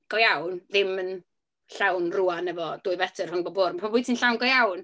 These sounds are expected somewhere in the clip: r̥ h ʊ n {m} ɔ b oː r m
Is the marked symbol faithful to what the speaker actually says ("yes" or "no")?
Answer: no